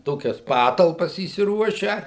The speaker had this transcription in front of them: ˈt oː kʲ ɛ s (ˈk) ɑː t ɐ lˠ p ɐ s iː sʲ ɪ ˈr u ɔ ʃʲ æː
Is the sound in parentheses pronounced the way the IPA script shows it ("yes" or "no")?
no